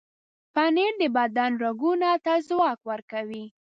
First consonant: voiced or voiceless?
voiceless